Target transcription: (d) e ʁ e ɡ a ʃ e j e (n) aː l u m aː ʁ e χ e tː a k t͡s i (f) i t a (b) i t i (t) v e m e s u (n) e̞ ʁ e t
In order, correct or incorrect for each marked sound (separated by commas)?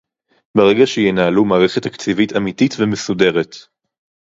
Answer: incorrect, correct, incorrect, incorrect, correct, incorrect